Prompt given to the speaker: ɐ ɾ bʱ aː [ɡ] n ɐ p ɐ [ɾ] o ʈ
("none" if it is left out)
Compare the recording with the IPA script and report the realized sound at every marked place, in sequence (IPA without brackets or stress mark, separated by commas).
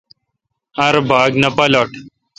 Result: ɡ, l